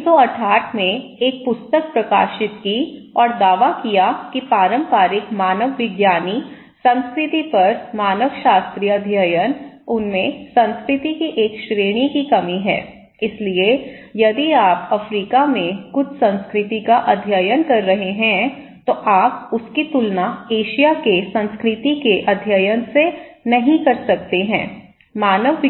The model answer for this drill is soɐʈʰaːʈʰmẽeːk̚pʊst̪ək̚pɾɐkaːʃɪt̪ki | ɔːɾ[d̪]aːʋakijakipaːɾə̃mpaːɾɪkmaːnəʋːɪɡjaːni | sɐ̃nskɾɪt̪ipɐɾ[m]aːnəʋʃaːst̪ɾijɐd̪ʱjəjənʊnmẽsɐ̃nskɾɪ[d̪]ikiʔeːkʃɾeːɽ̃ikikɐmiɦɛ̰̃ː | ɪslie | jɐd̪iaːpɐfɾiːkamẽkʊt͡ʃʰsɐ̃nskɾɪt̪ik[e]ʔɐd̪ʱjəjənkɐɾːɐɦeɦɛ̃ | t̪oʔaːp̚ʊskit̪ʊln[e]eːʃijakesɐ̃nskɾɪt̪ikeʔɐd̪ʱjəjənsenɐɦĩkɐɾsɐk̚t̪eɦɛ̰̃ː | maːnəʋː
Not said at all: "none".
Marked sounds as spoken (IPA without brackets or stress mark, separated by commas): d̪, m, t̪, a, a